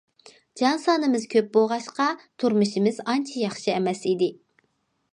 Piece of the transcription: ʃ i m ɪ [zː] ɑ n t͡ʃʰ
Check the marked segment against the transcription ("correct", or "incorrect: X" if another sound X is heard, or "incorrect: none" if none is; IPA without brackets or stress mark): incorrect: z